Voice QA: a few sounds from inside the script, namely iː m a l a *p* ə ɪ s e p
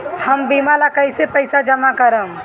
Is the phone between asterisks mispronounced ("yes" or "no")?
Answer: yes